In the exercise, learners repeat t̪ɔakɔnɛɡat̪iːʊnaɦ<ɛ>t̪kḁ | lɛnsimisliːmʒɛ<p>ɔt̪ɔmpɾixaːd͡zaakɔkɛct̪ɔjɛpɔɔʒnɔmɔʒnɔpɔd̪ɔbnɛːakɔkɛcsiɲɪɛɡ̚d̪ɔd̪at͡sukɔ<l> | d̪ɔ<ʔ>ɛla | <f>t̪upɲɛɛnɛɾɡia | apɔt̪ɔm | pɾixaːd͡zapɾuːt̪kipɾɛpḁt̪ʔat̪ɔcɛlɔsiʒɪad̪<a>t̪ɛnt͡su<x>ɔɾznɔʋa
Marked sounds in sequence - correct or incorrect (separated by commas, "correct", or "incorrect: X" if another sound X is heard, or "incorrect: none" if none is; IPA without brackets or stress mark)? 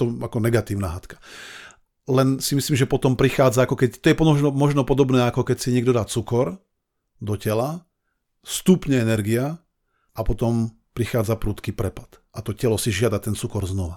incorrect: a, correct, incorrect: ɾ, incorrect: c, incorrect: s, correct, incorrect: k